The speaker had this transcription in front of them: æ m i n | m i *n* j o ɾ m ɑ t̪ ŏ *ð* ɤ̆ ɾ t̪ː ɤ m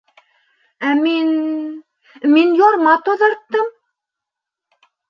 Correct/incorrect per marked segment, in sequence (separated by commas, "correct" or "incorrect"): correct, correct